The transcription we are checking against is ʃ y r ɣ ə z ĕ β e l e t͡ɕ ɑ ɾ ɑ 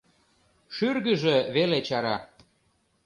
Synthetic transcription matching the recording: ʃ y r ɣ ə ʒ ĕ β e l e t͡ɕ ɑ ɾ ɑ